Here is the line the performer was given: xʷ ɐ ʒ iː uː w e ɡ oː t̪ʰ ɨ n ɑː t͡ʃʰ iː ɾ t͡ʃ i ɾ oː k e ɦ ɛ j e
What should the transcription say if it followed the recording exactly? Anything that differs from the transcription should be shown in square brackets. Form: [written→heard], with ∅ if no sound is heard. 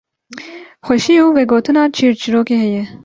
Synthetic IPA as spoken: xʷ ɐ [ʒ→ʃ] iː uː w e ɡ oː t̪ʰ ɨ n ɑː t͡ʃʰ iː ɾ t͡ʃ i ɾ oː k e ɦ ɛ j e